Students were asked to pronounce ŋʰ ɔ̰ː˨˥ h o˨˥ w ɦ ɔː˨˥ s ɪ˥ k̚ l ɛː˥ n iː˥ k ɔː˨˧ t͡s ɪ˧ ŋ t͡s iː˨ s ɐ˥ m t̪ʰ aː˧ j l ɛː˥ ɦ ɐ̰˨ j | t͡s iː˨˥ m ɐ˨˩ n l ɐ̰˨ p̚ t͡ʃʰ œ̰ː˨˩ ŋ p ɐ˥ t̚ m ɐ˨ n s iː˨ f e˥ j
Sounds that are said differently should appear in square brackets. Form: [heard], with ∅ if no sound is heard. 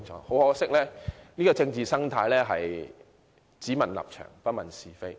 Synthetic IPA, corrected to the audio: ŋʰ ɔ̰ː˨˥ h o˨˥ w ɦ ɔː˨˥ s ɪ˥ k̚ l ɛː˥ n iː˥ k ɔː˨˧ t͡s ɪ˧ ŋ t͡s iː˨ s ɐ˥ [ŋ] t̪ʰ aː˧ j l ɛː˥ ɦ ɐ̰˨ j | t͡s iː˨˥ m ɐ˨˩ n l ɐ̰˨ p̚ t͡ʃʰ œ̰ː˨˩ ŋ p ɐ˥ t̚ m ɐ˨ n s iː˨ f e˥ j